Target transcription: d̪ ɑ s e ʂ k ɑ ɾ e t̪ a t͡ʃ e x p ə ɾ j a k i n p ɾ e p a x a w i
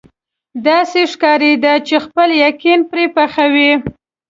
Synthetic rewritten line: d̪ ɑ s e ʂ k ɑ ɾ e d̪ a t͡ʃ e x p ə l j a k i n p ɾ e p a x a w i

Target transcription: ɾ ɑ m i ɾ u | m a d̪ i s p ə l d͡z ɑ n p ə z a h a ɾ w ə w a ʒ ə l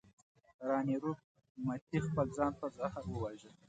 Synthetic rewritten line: ɾ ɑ n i ɾ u | m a t̪ i x p ə l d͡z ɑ n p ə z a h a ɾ w ə w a ʒ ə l

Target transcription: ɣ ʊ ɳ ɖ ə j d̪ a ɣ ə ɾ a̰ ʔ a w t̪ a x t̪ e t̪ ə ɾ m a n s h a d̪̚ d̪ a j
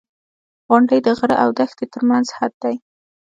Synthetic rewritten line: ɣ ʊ ɳ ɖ ə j d̪ ə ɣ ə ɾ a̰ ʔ a w d̪ a x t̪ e t̪ ə ɾ m a n z h a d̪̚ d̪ a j

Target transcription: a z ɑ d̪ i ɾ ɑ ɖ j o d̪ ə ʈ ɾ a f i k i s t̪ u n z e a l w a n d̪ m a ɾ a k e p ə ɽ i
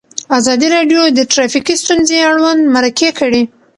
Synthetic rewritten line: a z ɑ d̪ i ɾ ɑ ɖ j o d̪ ə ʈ ɾ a f i k i s t̪ u n z e a ɽ w a n d̪ m a ɾ a k e k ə ɽ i

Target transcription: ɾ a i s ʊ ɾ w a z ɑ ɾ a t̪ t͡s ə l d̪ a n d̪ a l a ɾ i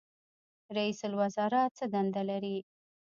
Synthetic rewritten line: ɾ a i s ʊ l w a z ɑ ɾ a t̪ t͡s ə d̪ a n d̪ a l a ɾ i

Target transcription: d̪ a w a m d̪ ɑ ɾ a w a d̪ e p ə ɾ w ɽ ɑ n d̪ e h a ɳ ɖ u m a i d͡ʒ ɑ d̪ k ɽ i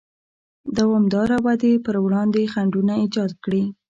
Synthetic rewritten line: d̪ a w ɑ m d̪ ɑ ɾ a w a d̪ e p ə ɾ w ɽ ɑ n d̪ e x a ɳ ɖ u n a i d͡ʒ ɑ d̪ k ɽ i

